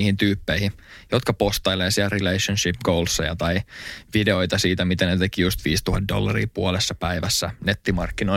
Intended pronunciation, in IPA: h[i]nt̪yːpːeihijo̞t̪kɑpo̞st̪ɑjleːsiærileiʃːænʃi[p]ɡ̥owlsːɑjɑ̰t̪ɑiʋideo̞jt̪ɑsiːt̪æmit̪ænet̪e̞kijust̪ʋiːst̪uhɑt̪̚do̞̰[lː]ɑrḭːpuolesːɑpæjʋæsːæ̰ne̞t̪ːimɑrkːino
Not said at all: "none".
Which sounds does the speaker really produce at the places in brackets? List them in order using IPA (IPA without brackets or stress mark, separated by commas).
i, p, lː